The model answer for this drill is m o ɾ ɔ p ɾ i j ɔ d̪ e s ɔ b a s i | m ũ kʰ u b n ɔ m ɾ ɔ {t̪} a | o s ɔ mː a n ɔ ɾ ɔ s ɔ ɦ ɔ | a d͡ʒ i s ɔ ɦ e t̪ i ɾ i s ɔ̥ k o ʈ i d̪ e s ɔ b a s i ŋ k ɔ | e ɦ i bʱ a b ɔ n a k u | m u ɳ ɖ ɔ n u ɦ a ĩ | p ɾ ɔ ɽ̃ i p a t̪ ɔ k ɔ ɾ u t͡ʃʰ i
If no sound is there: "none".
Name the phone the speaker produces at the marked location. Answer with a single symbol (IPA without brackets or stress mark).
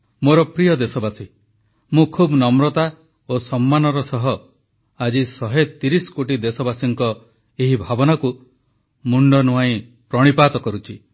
t̪